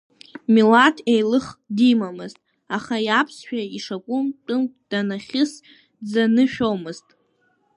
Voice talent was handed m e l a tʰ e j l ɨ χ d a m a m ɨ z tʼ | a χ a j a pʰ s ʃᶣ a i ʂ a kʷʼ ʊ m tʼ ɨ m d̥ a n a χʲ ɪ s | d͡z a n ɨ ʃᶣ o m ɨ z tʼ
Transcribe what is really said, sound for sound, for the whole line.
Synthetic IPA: m i l a tʰ e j l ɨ χ d i m a m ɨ z tʼ | a χ a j a pʰ s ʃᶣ a i ʂ a kʷʼ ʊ m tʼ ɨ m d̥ a n a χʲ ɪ s | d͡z a n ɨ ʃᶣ o m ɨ z tʼ